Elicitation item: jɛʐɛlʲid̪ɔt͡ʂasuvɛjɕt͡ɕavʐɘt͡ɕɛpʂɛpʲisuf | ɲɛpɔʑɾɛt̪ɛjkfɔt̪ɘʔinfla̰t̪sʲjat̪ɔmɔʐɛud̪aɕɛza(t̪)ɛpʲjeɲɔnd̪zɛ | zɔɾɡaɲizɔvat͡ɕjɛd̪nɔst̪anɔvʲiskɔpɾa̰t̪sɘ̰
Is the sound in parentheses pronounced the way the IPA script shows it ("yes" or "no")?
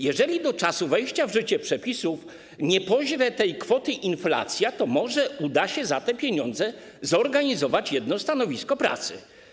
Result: yes